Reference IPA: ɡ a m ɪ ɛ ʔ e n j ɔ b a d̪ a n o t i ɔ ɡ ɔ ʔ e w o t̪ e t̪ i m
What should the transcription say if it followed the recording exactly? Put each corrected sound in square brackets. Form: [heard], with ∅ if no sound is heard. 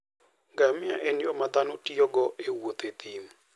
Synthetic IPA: ɡ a m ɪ [a] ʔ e n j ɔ [m] a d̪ a n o t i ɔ ɡ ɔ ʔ e w o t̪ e t̪ i m